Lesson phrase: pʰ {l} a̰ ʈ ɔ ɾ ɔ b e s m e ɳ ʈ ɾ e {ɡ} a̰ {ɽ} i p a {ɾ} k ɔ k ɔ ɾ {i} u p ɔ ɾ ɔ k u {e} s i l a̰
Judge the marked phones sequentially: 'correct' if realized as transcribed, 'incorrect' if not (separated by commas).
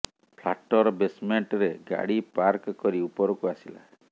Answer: correct, correct, correct, correct, correct, incorrect